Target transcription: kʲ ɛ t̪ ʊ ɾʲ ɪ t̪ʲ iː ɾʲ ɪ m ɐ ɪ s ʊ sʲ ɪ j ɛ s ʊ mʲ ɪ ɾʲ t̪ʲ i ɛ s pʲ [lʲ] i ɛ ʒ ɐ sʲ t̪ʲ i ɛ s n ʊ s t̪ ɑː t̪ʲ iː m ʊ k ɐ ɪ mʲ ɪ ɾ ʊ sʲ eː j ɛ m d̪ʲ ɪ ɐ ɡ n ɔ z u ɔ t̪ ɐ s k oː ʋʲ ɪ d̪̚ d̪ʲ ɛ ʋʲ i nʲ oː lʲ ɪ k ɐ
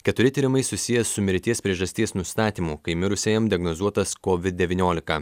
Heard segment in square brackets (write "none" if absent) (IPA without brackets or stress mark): ɾʲ